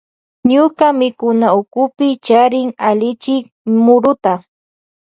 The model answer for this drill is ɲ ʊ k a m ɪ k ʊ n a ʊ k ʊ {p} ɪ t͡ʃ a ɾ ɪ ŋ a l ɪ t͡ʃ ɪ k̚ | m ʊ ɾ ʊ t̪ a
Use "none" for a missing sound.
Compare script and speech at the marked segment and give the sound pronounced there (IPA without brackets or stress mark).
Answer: p